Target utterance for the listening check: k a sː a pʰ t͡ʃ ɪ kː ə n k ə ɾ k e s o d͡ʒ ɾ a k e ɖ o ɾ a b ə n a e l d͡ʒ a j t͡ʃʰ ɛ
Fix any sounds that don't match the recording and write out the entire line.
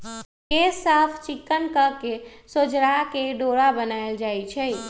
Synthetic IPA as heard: k e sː a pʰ t͡ʃ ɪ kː ə n k ə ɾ k e s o d͡ʒ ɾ a k e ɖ o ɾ a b ə n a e l d͡ʒ a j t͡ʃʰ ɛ